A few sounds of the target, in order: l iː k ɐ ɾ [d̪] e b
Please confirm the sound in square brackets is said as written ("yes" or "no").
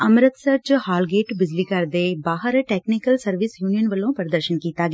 yes